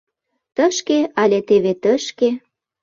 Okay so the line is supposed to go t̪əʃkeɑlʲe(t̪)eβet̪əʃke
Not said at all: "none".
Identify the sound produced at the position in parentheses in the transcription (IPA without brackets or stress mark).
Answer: t̪